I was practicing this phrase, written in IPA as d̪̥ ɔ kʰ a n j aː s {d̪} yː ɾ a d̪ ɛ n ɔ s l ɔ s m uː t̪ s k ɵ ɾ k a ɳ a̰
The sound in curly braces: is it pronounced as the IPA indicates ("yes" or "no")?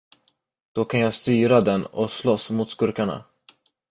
no